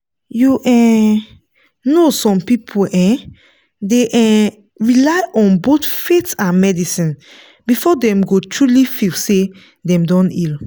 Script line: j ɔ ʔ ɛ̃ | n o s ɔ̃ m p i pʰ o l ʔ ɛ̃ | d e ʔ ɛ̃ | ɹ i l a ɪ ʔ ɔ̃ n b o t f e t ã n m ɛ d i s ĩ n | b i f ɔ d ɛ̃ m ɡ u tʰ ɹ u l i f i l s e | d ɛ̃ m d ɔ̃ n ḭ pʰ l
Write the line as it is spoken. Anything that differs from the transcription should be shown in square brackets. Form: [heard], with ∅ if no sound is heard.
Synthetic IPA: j [u] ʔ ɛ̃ | n o s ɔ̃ m p i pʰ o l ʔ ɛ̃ | d e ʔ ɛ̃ | ɹ i l a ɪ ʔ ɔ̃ n b o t f e t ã n m ɛ d i s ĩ n | b i f ɔ d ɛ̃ m ɡ [o] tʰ ɹ u l i f i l s e | d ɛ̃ m d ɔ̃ n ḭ [∅] l